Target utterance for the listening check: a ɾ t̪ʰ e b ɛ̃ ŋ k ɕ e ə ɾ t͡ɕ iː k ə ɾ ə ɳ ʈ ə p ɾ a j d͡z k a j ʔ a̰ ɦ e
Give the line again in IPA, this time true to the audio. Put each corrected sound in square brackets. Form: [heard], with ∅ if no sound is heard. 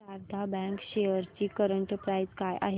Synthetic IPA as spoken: a ɾ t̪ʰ [a] b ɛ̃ ŋ k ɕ e ə ɾ t͡ɕ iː k ə ɾ ə ɳ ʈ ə p ɾ a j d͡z k a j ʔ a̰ ɦ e

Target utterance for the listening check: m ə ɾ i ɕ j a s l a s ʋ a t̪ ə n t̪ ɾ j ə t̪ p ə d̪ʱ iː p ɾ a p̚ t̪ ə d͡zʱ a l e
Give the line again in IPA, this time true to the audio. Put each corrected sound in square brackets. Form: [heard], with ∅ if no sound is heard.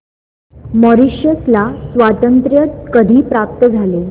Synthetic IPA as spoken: m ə ɾ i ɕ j [ə] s l a s ʋ a t̪ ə n t̪ ɾ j ə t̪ [k] ə d̪ʱ iː p ɾ a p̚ t̪ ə d͡zʱ a l e

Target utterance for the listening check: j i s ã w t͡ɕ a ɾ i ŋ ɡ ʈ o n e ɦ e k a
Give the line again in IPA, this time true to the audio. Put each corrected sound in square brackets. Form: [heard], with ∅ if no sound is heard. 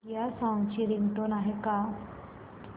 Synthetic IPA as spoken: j [a] s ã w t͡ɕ [i] ɾ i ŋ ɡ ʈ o n [a] ɦ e k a

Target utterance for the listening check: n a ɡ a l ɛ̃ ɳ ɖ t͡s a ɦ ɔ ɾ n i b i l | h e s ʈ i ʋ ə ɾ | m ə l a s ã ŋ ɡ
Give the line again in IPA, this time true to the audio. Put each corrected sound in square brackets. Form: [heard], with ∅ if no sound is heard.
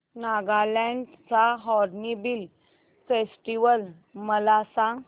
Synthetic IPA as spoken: n a ɡ a l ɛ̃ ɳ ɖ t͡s a ɦ ɔ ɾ n i b i l | [f] e s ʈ i ʋ ə [l] | m ə l a s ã ŋ ɡ

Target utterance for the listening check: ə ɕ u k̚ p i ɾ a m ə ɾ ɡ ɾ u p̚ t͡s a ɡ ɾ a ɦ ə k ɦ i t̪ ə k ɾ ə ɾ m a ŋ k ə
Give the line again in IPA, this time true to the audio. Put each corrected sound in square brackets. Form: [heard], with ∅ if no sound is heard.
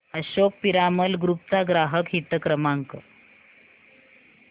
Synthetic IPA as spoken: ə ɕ [o] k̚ p i ɾ a m ə [l] ɡ ɾ u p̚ t͡s a ɡ ɾ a ɦ ə k ɦ i t̪ ə k ɾ ə [∅] m a ŋ k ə

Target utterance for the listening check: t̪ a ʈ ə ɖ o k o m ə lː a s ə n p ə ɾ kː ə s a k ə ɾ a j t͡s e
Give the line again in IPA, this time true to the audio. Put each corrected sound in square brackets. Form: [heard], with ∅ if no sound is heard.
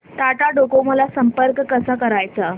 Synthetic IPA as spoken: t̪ a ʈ [a] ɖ o k o m ə [l] a s ə [m] p ə ɾ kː ə s a k ə ɾ a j t͡s [a]

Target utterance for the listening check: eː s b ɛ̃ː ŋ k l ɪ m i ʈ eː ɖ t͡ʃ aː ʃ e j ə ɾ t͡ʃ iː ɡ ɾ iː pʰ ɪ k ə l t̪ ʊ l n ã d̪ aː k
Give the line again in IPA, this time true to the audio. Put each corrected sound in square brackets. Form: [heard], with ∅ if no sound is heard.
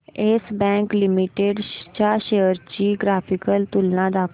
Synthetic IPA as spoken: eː s b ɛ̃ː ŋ k l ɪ m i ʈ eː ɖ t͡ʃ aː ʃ e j ə ɾ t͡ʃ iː ɡ ɾ [aː] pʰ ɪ k ə l t̪ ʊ l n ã d̪ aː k

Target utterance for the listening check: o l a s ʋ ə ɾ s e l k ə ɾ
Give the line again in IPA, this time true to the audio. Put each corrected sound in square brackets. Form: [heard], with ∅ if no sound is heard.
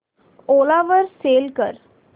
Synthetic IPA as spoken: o l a [∅] ʋ ə ɾ s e l k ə ɾ

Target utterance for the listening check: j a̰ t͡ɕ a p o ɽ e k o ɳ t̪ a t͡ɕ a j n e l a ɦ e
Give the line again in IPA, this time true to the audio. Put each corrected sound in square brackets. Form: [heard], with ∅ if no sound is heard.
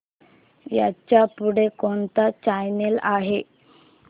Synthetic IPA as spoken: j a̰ t͡ɕ a p [u] ɽ e k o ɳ t̪ a t͡ɕ a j n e l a ɦ e

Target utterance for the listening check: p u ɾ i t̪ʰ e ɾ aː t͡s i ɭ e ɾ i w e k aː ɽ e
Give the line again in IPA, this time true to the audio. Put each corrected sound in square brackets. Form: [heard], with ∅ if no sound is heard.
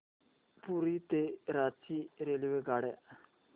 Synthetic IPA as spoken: p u ɾ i [t̪] e ɾ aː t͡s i [ɾ] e [l] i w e [ɡ] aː ɽ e

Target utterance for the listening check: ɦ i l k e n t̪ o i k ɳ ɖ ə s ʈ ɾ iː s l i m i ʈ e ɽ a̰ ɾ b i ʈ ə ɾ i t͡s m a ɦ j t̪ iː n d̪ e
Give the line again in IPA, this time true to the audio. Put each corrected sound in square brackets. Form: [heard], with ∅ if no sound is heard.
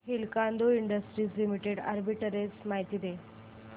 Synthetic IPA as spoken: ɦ i l k [a] n [d̪] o i [∅] ɳ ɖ ə s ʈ ɾ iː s l i m i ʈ e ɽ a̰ ɾ b i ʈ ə ɾ [e] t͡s m a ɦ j t̪ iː [∅] d̪ e

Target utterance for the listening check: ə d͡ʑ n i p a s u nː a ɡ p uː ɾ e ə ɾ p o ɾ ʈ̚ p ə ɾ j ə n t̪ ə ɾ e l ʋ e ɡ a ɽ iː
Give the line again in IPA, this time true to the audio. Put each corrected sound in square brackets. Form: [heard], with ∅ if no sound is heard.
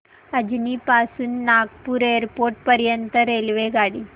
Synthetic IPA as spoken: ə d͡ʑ n i p a s [uː] nː a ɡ p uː ɾ e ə ɾ p o ɾ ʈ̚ p ə ɾ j ə n t̪ ə ɾ e l ʋ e ɡ a ɽ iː

